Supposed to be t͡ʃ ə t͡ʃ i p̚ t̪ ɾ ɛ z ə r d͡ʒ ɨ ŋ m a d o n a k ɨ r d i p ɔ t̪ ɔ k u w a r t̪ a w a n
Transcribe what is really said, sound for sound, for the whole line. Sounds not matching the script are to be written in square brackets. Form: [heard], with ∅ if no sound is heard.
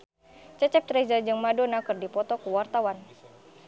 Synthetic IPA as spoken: t͡ʃ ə t͡ʃ [ɛ] p̚ t̪ ɾ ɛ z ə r d͡ʒ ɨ ŋ m a d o n a k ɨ r d i p ɔ t̪ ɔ k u w a r t̪ a w a n